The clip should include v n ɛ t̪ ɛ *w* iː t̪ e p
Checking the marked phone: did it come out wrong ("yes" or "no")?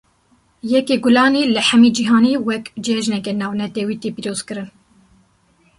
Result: no